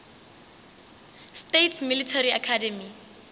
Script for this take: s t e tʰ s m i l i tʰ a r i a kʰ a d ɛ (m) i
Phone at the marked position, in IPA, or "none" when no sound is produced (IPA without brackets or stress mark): m